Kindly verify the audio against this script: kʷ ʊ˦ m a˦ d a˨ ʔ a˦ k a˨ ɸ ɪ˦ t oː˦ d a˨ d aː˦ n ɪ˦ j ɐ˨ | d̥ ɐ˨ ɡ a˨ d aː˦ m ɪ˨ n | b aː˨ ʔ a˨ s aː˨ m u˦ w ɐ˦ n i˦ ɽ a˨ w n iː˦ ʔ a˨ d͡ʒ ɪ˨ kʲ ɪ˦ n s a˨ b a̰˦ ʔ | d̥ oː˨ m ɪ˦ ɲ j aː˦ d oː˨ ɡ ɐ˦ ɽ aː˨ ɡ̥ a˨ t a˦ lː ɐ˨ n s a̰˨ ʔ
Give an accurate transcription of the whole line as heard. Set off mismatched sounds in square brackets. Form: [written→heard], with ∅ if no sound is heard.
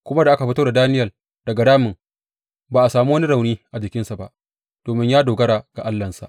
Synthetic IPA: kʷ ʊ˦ m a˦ d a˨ ʔ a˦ k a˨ ɸ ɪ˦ t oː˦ d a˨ d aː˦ n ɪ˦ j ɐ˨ | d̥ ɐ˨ ɡ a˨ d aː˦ m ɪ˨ [n→ŋ] | b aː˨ ʔ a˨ s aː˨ m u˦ w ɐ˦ n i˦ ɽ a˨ w n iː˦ ʔ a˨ d͡ʒ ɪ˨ kʲ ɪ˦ n s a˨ b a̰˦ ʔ | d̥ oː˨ m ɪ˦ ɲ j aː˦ d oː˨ ɡ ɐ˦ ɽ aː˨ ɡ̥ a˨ [t→ʔ] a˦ lː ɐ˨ n s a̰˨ ʔ